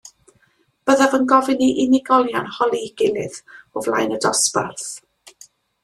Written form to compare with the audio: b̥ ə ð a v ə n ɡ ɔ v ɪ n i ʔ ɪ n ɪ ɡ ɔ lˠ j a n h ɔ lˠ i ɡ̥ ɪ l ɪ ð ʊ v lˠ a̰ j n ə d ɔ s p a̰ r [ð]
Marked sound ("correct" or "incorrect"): incorrect